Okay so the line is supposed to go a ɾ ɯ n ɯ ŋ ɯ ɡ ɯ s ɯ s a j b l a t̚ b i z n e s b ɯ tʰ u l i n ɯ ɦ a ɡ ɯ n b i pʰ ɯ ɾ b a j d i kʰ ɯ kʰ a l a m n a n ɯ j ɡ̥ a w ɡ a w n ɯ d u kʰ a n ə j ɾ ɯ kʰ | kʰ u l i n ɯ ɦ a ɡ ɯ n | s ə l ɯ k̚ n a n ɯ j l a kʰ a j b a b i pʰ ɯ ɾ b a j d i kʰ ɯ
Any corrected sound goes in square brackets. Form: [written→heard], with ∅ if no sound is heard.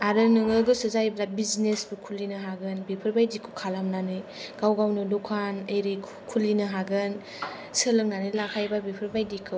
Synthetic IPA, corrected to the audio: a ɾ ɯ n ɯ ŋ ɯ ɡ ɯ s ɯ [s→z] a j b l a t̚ b i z n e s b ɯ [tʰ→kʰ] u l i n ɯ ɦ a ɡ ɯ n b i pʰ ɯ ɾ b a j d i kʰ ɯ kʰ a l a m n a n ɯ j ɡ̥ a w ɡ a w n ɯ d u kʰ a n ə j ɾ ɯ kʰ | kʰ u l i n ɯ ɦ a ɡ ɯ n | s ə l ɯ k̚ n a n ɯ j l a kʰ a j b a b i pʰ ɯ ɾ b a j d i kʰ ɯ